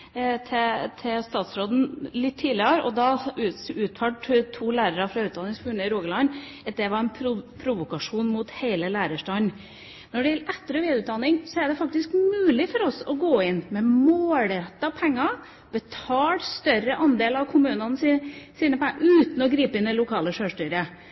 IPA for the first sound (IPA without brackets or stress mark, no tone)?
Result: t̪ʰ